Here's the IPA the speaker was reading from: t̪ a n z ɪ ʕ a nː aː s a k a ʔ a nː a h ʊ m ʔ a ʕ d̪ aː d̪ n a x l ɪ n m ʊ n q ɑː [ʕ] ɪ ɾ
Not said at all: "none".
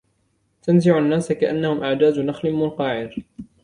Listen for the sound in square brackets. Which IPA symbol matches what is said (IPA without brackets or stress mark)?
ʕ